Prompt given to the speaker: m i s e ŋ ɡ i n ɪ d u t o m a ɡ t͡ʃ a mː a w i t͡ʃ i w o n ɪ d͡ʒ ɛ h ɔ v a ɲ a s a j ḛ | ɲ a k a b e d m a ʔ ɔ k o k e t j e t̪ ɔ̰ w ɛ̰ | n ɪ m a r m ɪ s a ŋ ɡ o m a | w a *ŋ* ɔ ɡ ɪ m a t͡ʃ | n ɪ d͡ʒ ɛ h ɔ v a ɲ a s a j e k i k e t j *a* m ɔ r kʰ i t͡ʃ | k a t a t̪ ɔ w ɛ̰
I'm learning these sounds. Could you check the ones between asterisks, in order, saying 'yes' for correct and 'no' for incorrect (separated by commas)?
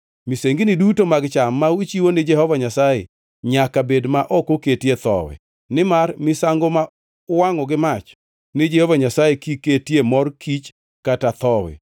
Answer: yes, no